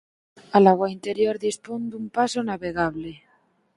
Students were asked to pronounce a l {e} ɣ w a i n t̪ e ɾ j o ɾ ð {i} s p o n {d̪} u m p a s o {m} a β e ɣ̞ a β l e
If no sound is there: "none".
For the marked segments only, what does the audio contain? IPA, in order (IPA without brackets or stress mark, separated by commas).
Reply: a, i, d̪, n